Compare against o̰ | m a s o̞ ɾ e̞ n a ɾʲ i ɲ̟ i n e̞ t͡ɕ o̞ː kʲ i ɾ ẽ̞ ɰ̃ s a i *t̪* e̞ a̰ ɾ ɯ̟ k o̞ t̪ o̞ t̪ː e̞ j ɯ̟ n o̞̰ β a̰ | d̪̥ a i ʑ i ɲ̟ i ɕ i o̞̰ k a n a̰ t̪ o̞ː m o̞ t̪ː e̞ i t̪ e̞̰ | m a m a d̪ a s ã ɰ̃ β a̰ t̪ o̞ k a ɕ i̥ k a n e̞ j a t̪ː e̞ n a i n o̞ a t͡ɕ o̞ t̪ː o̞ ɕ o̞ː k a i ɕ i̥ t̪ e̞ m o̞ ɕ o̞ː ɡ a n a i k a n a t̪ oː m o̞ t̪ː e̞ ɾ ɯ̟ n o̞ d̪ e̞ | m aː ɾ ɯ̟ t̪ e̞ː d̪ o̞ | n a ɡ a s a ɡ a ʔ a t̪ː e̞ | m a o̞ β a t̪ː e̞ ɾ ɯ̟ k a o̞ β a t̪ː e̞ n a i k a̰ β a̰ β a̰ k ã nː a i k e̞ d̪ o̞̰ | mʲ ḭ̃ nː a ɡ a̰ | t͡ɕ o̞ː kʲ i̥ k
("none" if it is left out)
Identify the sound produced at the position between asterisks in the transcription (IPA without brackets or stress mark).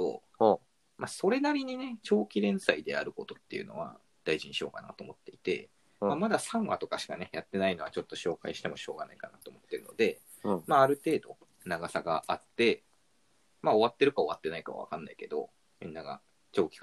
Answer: d̪